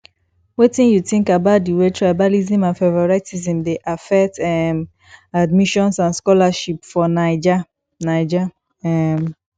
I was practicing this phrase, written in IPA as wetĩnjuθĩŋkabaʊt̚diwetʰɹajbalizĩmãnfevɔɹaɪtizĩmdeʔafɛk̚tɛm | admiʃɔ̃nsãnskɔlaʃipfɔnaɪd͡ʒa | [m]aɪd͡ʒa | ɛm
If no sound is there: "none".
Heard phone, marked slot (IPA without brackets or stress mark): n